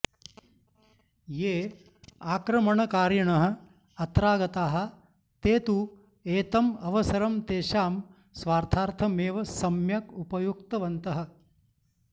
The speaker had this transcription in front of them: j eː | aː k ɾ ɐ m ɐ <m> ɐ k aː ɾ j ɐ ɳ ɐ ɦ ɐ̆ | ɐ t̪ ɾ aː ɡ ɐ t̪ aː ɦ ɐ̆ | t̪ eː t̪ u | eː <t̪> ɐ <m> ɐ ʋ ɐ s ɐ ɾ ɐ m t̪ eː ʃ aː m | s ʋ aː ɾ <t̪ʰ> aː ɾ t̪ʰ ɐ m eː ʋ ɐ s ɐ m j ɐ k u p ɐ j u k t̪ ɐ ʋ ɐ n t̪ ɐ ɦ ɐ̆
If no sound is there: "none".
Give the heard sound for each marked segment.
ɳ, t̪, m, t̪ʰ

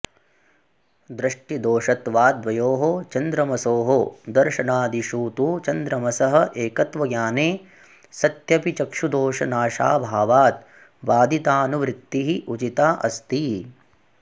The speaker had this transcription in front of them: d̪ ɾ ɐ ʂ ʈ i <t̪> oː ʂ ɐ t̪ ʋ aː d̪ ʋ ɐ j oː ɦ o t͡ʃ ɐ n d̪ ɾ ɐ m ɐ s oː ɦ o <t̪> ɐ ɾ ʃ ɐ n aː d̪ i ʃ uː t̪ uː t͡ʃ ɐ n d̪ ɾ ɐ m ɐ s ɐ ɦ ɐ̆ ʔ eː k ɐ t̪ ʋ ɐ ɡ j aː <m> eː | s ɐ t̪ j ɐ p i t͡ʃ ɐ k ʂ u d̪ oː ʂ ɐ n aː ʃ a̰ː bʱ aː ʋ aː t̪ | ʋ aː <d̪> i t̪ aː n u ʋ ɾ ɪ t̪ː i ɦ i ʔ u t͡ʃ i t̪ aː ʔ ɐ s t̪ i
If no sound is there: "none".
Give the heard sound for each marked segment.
d̪, d̪, n, d̪

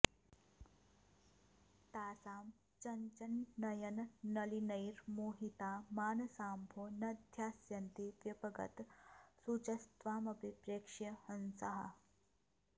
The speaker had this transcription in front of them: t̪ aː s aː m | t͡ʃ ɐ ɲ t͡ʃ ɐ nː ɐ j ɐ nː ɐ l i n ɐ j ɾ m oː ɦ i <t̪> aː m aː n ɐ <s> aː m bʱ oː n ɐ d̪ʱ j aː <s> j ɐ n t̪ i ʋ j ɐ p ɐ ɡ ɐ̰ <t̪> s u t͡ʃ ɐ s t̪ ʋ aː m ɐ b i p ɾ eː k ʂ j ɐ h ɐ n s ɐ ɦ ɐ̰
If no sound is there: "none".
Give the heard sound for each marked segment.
t̪, s, s, t̪

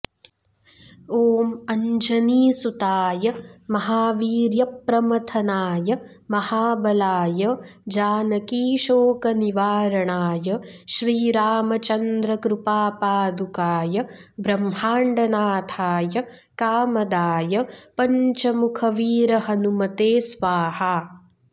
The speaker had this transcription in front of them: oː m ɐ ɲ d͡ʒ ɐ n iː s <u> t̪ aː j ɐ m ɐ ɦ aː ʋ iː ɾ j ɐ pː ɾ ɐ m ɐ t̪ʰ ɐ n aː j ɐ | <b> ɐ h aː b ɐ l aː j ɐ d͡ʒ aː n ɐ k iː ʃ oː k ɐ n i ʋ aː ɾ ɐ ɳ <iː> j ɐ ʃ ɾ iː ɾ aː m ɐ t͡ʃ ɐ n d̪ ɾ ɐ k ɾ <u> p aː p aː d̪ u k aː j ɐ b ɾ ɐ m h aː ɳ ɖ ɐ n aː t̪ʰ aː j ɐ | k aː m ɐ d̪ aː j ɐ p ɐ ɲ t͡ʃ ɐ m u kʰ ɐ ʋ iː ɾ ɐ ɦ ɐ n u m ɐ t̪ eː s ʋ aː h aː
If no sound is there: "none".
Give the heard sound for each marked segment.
u, m, aː, u

